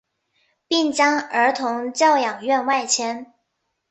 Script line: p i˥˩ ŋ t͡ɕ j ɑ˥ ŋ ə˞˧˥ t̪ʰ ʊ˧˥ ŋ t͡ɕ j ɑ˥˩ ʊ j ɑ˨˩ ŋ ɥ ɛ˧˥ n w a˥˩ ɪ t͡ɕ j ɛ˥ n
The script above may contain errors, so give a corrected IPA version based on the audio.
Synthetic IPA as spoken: p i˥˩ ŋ t͡ɕ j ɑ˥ ŋ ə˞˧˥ t̪ʰ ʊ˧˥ ŋ t͡ɕ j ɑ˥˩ ʊ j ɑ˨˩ ŋ ɥ ɛ˥˧ n w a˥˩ ɪ t͡ɕʰ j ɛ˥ n

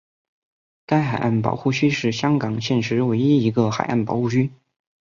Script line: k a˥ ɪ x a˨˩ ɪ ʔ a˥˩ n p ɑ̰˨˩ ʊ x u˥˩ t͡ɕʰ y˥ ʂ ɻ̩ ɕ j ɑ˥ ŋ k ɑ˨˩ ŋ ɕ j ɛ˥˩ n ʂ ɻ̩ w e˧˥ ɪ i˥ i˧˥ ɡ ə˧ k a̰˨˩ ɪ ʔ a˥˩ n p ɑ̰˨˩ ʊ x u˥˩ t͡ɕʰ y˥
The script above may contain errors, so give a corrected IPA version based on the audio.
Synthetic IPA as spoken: k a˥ ɪ x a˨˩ ɪ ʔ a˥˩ n p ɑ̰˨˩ ʊ x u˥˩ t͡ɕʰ y˥ ʂ ɻ̩ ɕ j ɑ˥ ŋ k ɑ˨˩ ŋ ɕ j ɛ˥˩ n ʂ ɻ̩ w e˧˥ ɪ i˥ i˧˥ ɡ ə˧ x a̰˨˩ ɪ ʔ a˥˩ n p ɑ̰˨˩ ʊ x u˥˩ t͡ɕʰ y˥

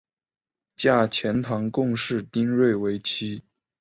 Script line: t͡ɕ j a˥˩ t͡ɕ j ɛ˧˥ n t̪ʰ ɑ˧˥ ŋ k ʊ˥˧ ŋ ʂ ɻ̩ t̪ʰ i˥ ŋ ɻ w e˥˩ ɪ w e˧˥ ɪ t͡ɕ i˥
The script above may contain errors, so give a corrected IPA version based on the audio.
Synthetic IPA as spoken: t͡ɕ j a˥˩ t͡ɕʰ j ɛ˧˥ n t̪ʰ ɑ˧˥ ŋ k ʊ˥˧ ŋ ʂ ɻ̩ t̪ i˥ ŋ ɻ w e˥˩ ɪ w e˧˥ ɪ t͡ɕʰ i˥

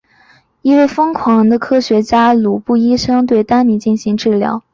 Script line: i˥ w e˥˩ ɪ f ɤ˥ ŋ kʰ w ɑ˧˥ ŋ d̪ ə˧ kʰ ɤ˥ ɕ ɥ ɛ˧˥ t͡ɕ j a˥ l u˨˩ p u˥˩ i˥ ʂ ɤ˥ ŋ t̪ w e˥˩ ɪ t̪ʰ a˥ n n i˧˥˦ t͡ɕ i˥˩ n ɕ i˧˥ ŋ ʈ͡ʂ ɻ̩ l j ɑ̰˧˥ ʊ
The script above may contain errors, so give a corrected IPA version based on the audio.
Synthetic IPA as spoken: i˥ w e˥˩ ɪ f ɤ˥ ŋ kʰ w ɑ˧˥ ŋ d̪ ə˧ kʰ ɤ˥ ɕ ɥ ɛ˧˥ t͡ɕ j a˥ l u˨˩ p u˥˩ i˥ ʂ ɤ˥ ŋ t̪ w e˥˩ ɪ t̪ a˥ n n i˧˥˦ t͡ɕ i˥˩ n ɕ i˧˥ ŋ ʈ͡ʂ ɻ̩ l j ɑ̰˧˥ ʊ

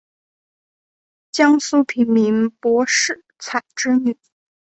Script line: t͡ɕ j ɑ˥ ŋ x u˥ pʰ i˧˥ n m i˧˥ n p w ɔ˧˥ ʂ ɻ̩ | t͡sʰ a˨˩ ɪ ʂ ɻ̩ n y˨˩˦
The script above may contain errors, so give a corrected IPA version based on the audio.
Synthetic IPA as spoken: t͡ɕ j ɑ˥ ŋ s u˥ pʰ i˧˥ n m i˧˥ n p w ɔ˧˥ ʂ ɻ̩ | t͡sʰ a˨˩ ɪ ʈ͡ʂ ɻ̩ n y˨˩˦

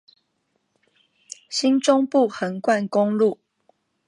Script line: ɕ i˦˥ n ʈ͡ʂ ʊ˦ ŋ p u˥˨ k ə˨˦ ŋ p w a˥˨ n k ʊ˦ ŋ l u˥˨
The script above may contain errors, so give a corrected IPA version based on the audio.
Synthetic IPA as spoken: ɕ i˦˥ n ʈ͡ʂ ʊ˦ ŋ p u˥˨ x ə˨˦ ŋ k w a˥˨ n k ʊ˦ ŋ l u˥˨

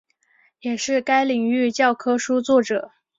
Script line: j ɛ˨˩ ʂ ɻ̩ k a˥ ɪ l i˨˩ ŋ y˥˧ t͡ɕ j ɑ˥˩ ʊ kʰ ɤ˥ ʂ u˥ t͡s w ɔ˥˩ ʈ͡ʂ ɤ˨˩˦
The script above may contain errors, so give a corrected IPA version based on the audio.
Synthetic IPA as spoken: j ɛ˨˩ ʂ ɻ̩ k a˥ ɪ l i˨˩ ŋ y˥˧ t͡ɕ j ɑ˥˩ ʊ kʰ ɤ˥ ʂ u˥ t͡s w ɔ˥˩ ʈ͡ʂ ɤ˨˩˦

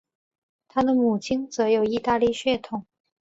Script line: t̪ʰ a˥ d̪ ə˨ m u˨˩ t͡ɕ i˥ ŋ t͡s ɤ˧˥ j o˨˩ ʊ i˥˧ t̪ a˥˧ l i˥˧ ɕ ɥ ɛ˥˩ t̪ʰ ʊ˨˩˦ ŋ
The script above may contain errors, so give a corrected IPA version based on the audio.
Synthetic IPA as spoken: t̪ʰ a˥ d̪ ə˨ m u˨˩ t͡ɕʰ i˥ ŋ t͡s ɤ˧˥ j o˨˩ ʊ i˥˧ t̪ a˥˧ l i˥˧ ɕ ɥ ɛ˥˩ t̪ʰ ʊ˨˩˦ ŋ

